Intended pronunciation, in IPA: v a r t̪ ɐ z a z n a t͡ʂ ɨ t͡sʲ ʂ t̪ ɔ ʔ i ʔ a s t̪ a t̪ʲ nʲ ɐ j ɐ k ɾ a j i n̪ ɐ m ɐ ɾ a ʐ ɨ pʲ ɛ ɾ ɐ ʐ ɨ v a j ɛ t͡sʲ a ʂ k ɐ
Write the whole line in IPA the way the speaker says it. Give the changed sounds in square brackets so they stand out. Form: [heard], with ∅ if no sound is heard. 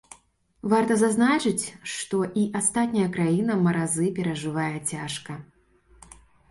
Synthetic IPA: v a r t̪ ɐ z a z n a t͡ʂ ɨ t͡sʲ ʂ t̪ ɔ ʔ i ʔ a s t̪ a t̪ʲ nʲ ɐ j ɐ k ɾ a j i n̪ ɐ m ɐ ɾ a [z] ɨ pʲ ɛ ɾ ɐ ʐ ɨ v a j ɛ t͡sʲ a ʂ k ɐ